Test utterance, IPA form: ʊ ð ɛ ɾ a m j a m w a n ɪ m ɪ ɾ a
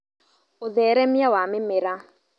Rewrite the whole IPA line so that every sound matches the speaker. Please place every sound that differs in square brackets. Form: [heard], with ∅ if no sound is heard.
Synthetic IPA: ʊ ð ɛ ɾ [ɛ] m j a [∅] w a [m] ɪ m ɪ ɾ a